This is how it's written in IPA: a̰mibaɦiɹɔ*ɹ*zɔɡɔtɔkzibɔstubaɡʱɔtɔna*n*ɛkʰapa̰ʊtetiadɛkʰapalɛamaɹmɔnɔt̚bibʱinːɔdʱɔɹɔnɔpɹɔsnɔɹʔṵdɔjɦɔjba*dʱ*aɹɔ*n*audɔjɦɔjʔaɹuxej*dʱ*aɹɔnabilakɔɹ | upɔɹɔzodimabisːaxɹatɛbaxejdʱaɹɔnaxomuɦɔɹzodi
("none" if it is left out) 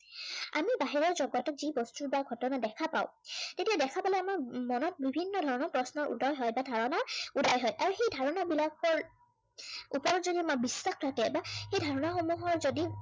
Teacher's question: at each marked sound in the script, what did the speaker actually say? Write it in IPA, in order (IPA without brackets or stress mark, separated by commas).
ɹ, d, dʱ, n, dʱ